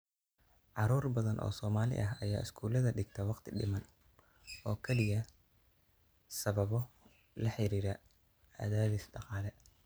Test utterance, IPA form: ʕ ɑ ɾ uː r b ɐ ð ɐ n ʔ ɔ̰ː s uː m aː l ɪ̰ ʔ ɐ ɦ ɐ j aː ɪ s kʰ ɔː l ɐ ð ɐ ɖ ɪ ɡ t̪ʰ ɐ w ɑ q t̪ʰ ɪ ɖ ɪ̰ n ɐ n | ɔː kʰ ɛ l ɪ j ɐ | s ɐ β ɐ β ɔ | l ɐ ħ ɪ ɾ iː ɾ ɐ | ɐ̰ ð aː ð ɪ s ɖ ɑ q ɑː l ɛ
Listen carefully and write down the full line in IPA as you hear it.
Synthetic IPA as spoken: ʕ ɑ ɾ uː r b ɐ ð ɐ n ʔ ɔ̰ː s ɔː m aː l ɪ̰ ʔ ɐ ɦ ɐ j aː ɪ s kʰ uː l ɐ ð ɐ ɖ ɪ ɡ t̪ʰ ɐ w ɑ q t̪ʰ ɪ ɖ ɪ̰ m ɐ n | ɔː kʰ ɛ l ɪ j ɐ | s ɐ β ɐ β ɔ | l ɐ ħ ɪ ɾ iː ɾ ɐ | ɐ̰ ð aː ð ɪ s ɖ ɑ q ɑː l ɛ